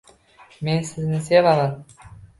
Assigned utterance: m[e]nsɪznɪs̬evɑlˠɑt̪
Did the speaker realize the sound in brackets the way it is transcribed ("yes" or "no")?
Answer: yes